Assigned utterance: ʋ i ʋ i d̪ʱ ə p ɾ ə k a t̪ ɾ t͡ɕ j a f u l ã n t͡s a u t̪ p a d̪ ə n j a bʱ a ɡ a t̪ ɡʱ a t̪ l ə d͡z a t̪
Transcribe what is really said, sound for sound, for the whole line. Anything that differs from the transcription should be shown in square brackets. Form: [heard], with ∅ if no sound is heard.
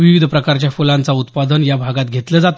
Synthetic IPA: ʋ i ʋ i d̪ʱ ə p ɾ ə k a [∅] ɾ t͡ɕ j a f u l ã n t͡s a u t̪ p a d̪ ə n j a bʱ a ɡ a t̪ ɡʱ [e] t̪ l ə d͡z a t̪